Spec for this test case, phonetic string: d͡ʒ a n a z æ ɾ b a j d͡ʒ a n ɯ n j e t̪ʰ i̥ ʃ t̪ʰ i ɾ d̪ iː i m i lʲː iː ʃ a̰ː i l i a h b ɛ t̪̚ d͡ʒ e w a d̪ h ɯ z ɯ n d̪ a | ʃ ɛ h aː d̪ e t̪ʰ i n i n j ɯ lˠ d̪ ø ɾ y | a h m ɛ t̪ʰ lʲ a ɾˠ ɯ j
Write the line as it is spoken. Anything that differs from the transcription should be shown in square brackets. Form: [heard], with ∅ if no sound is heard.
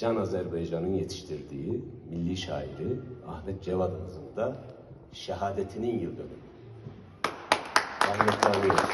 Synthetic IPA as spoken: d͡ʒ a n a z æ ɾ b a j d͡ʒ a n ɯ n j e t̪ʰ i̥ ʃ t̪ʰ i ɾ d̪ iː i m i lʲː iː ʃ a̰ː i [ɾ] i a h [m] ɛ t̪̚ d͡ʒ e [v] a d̪ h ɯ z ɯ n d̪ a | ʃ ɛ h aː d̪ e t̪ʰ i n i n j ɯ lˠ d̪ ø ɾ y | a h m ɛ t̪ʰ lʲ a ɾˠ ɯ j